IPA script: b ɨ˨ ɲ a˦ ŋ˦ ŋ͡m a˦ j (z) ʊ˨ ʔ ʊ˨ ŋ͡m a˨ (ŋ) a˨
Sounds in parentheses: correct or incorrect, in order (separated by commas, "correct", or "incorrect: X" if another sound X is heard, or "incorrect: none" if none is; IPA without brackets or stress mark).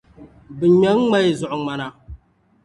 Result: correct, incorrect: n